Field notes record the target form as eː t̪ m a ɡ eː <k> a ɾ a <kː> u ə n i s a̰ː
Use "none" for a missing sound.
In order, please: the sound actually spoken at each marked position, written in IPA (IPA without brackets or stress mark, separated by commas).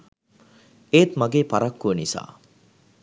p, kː